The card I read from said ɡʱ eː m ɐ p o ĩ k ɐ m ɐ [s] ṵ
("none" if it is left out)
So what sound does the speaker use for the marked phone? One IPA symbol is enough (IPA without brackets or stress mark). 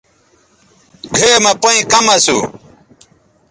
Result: s